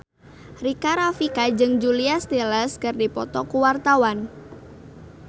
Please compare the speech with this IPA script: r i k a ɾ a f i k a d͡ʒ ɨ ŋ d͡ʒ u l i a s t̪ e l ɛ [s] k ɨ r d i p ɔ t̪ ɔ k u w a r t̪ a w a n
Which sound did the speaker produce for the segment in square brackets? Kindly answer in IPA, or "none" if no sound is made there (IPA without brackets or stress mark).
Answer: s